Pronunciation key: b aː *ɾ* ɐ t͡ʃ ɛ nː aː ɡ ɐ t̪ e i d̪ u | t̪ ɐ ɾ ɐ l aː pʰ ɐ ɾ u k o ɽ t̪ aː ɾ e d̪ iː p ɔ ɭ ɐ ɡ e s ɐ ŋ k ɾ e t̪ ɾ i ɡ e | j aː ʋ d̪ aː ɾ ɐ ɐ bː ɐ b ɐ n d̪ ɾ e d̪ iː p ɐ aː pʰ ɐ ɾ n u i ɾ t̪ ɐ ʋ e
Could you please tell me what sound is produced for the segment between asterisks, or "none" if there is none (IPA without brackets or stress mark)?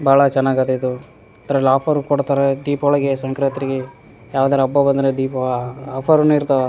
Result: ɭ